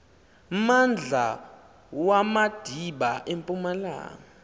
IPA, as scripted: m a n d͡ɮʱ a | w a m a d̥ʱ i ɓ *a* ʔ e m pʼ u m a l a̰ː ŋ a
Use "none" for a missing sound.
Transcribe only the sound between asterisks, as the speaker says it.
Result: a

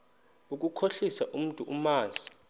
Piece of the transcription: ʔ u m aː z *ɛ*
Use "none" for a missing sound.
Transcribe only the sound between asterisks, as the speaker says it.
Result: i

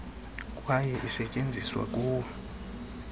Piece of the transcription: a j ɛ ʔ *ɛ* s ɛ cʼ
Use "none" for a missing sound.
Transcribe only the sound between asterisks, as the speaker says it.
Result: i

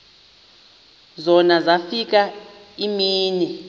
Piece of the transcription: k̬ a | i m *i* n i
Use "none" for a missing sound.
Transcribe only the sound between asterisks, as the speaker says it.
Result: iː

